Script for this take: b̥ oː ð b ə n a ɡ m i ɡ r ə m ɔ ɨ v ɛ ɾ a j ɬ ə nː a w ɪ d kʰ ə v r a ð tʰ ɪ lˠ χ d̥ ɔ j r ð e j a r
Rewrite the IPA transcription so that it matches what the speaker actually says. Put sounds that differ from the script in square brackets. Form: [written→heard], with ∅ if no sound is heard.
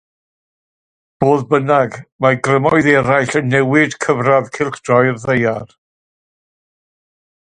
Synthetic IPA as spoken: b̥ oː ð b ə n a ɡ m [i→a] ɡ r ə m ɔ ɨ [v→ð] ɛ ɾ a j ɬ ə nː [a→ɛ] w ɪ d kʰ ə v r a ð [tʰ→kʰ] ɪ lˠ χ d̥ ɔ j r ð e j a r